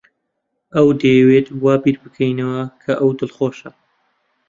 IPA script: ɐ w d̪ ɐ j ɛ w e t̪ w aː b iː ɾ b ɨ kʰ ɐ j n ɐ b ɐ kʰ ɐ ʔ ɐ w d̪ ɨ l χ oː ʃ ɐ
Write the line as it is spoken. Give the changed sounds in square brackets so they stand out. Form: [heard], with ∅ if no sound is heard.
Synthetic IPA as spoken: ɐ w d̪ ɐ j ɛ w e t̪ w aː b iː ɾ b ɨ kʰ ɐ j n ɐ [w] ɐ kʰ ɐ ʔ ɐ w d̪ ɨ l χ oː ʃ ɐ